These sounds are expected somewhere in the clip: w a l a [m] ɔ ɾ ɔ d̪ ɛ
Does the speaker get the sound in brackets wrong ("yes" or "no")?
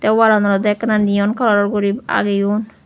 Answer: yes